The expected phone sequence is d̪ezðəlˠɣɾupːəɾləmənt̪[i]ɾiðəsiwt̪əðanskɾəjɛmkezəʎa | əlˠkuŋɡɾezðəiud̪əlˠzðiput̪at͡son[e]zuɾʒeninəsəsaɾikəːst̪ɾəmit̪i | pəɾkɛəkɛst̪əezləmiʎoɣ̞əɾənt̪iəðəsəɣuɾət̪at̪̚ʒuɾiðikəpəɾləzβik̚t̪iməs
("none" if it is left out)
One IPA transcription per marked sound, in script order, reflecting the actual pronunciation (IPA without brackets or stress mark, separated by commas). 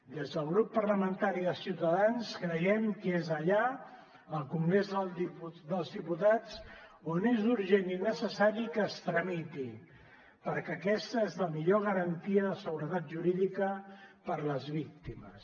a, e